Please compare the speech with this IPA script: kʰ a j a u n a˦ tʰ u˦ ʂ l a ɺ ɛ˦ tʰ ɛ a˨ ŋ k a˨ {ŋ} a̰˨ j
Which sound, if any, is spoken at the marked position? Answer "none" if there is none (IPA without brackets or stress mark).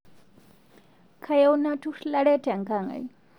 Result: ŋ